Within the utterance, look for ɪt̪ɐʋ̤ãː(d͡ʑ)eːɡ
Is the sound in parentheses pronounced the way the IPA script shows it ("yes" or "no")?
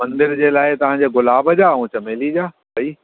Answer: yes